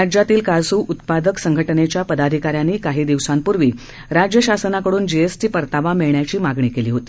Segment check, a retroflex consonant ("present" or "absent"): present